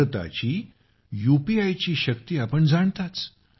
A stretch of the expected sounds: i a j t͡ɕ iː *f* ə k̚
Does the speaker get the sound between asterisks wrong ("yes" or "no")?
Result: yes